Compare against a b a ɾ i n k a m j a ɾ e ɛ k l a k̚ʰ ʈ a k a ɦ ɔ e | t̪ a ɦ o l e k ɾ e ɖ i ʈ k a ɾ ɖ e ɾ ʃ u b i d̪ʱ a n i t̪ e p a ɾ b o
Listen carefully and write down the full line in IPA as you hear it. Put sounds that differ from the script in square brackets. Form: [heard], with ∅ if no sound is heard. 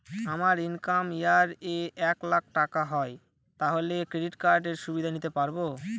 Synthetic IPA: a [m] a ɾ i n k a m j a ɾ e ɛ k l a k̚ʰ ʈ a k a ɦ ɔ e | t̪ a ɦ o l e k ɾ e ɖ i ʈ k a ɾ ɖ e ɾ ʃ u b i d̪ʱ a n i t̪ e p a ɾ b o